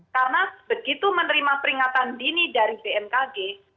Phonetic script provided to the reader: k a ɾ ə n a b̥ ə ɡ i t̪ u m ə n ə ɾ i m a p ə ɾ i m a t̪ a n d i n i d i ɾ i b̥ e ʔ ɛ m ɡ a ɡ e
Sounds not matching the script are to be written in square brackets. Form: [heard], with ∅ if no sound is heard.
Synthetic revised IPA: k a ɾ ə n a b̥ ə ɡ i t̪ u m ə n ə ɾ i m a p ə ɾ i [ŋ] a t̪ a n d i n i d [a] ɾ i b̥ e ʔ ɛ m [k] a ɡ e